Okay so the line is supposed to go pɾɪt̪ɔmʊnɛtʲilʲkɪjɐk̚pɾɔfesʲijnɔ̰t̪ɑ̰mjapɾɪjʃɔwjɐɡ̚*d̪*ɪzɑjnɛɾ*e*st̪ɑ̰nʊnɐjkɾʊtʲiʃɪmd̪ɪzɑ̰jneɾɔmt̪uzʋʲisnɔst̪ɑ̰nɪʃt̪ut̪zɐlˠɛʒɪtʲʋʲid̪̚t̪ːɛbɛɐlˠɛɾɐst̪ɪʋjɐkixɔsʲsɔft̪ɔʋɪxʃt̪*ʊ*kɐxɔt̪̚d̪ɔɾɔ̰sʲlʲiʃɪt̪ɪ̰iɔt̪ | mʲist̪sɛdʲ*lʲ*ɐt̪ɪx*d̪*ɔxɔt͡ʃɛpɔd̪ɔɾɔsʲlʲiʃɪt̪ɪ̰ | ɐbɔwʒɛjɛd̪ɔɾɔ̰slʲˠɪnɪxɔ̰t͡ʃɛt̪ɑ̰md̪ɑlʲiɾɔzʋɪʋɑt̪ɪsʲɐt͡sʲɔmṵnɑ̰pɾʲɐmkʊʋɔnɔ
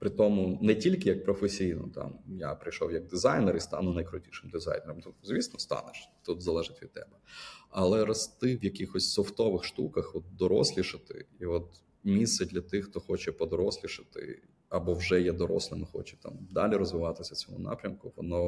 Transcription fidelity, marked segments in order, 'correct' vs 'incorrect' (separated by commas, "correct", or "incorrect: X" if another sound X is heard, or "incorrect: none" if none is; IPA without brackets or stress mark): correct, incorrect: i, incorrect: u, correct, incorrect: t̪